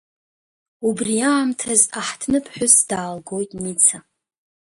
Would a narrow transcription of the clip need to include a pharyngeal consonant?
yes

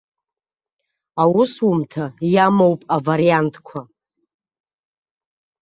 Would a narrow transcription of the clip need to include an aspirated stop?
yes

